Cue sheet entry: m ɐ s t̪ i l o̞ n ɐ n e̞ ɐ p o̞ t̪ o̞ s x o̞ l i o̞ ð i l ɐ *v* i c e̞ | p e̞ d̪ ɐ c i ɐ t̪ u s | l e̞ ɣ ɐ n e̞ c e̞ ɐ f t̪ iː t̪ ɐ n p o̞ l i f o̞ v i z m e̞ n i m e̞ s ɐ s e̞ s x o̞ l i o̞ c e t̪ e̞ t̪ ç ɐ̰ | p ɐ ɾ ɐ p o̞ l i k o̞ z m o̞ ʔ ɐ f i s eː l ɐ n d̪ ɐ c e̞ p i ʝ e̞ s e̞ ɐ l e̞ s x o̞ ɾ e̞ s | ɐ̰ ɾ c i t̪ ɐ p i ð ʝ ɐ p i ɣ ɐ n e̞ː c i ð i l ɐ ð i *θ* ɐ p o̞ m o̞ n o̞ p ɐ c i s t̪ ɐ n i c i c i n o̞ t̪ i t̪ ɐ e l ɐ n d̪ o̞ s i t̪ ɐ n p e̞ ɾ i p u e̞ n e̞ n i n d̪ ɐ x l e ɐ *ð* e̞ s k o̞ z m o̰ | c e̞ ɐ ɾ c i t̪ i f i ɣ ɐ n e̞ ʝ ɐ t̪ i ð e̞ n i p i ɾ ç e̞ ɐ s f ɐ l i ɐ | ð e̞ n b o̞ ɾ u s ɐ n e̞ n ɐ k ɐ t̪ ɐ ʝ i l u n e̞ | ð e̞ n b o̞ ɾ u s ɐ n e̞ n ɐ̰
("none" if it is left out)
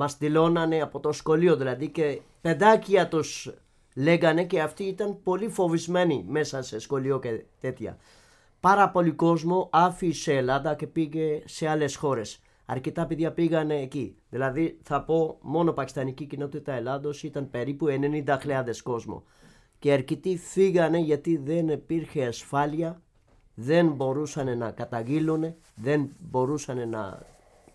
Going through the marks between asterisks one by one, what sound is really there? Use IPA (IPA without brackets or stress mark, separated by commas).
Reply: ð, θ, ð